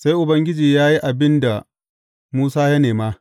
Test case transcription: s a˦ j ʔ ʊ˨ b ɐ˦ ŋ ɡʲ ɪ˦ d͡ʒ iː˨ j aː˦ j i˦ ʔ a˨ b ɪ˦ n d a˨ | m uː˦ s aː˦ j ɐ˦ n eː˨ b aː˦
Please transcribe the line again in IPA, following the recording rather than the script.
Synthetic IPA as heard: s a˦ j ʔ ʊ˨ b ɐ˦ ŋ ɡʲ ɪ˦ d͡ʒ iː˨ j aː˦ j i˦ ʔ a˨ b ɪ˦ n d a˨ | m uː˦ s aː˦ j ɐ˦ n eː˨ m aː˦